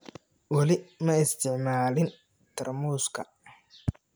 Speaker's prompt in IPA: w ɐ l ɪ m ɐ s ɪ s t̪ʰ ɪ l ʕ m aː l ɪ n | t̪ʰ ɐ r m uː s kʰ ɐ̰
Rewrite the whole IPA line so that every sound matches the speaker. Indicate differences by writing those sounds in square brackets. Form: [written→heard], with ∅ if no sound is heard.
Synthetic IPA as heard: w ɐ l ɪ m ɐ [s→∅] ɪ s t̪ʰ ɪ [l→∅] ʕ m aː l ɪ n | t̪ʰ ɐ r m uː s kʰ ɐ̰